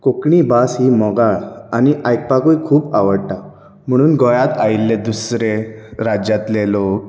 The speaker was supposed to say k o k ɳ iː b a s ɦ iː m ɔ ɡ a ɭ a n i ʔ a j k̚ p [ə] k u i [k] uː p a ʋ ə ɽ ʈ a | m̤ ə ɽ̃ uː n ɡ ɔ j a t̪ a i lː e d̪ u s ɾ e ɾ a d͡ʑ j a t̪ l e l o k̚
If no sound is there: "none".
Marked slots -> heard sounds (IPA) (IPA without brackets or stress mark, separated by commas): a, kʰ